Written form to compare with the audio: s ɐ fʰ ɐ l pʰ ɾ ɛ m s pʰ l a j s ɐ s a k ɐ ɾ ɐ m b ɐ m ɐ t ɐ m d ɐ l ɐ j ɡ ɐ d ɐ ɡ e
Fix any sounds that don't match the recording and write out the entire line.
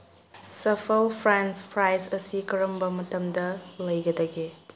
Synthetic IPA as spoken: s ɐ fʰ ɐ l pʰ ɾ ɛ n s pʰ ɾ a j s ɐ s i k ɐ ɾ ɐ m b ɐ m ɐ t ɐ m d ɐ l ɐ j ɡ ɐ d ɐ ɡ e